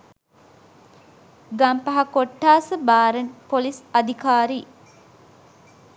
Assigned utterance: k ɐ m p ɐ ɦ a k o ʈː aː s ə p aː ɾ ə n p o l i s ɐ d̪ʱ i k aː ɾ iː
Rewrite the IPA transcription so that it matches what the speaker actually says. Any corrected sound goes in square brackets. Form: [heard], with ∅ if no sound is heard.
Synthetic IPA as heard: [ɡ] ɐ m p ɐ ɦ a k o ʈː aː s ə [b] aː ɾ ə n p o l i s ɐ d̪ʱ i k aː ɾ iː